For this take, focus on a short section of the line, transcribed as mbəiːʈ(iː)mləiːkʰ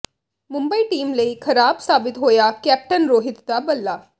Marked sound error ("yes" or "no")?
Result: no